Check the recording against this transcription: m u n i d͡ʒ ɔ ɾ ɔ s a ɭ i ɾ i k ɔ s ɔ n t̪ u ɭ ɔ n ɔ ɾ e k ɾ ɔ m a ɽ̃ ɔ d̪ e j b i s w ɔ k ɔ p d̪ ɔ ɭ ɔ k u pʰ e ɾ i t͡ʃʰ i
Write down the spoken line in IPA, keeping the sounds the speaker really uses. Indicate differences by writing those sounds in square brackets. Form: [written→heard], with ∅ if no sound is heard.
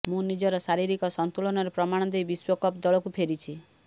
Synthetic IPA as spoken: m [u→ũ] n i d͡ʒ ɔ ɾ ɔ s a [ɭ→ɾ] i ɾ i k ɔ s ɔ n t̪ u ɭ ɔ n ɔ ɾ e [k→p] ɾ ɔ m a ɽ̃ ɔ d̪ e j b i s w ɔ k ɔ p d̪ ɔ ɭ ɔ k u pʰ e ɾ i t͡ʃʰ i